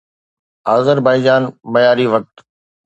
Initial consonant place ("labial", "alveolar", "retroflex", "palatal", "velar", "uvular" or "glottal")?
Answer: alveolar